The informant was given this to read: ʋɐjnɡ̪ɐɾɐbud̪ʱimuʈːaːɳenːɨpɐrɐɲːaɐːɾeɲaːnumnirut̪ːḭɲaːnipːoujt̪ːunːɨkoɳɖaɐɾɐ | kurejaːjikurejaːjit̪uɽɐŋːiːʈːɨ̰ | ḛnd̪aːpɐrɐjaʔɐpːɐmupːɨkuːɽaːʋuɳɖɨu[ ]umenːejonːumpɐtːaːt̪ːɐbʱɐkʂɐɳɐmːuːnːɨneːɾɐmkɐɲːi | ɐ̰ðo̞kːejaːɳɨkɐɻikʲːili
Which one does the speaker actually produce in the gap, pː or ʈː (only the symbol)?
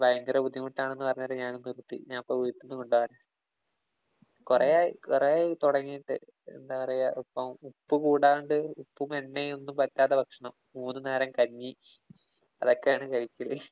pː